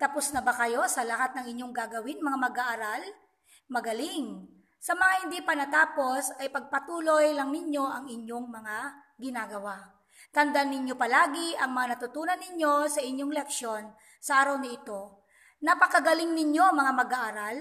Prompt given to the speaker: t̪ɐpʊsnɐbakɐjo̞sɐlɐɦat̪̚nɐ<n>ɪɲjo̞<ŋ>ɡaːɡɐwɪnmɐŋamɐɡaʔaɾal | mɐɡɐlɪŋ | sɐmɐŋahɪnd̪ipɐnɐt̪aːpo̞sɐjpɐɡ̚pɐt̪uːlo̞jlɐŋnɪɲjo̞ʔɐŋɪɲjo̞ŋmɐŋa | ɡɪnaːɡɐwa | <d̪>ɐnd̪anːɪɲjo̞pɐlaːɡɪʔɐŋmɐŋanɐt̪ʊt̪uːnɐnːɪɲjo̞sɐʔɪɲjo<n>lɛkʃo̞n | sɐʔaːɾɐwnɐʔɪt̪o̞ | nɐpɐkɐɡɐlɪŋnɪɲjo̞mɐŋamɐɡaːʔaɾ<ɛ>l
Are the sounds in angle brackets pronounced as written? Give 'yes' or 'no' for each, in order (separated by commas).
no, yes, no, no, no